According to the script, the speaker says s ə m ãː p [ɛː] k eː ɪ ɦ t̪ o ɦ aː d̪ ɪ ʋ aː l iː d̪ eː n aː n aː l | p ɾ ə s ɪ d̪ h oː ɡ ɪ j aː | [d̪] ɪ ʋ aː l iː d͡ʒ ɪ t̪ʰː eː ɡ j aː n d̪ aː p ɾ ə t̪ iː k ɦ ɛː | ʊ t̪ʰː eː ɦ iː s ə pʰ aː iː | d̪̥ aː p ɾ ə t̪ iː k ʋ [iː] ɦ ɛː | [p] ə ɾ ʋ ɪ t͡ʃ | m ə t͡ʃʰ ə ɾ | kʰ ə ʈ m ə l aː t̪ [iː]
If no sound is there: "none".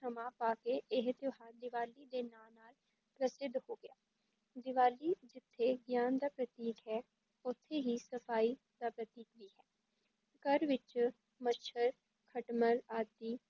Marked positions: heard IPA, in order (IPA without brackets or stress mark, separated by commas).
aː, d̪, iː, k, iː